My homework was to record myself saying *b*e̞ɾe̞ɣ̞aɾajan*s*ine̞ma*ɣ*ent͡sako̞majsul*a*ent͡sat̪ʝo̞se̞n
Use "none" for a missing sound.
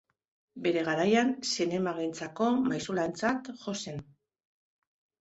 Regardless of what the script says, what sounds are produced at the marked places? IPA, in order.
b, s, ɣ, a

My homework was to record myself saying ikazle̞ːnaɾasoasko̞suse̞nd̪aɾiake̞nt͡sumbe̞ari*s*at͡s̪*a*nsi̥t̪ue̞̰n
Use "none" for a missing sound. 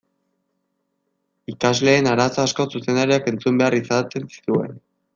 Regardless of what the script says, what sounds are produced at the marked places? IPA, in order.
s, e

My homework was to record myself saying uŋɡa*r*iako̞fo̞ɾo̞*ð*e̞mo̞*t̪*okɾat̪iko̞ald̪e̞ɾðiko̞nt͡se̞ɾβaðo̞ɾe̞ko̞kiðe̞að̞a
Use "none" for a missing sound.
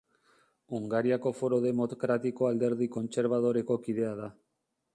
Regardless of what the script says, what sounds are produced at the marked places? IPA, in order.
ɾ, ð, t̪

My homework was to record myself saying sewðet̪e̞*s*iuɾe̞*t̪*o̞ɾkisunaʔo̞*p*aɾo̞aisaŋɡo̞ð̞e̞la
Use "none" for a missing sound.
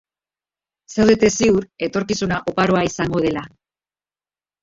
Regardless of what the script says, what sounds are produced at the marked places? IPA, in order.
s, t̪, p

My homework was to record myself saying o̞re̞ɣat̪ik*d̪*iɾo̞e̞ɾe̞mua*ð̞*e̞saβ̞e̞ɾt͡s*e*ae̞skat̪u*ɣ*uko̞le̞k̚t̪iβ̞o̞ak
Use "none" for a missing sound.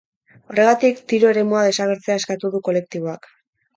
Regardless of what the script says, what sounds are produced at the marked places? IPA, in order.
t̪, ð̞, e, ð

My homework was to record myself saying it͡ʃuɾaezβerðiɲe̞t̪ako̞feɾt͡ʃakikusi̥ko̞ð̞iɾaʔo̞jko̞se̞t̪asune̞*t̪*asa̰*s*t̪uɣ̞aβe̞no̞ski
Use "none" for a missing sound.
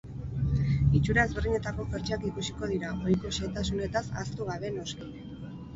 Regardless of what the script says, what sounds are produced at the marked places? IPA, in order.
t̪, s

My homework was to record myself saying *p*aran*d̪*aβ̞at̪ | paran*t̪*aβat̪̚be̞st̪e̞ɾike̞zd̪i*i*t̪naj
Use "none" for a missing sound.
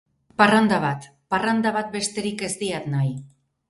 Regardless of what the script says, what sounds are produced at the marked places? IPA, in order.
p, d̪, d̪, a

